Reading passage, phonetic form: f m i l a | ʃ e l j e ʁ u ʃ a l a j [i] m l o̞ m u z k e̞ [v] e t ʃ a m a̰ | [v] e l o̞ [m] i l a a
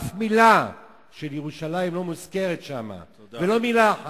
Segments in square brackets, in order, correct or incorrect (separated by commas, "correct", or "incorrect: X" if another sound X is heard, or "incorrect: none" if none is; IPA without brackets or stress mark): correct, incorrect: ʁ, correct, correct